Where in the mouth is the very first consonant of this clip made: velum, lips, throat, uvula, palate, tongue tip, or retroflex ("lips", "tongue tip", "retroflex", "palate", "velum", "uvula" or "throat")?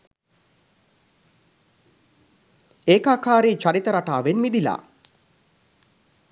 velum